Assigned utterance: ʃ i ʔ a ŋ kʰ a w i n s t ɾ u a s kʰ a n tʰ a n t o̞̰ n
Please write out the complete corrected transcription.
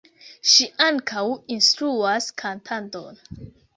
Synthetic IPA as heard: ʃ i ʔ a ŋ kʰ a w i n s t ɾ u a s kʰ a n tʰ a n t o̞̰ n